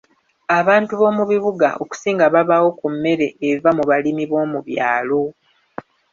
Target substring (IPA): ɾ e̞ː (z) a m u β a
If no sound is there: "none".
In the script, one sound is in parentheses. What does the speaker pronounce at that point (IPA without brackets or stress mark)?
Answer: v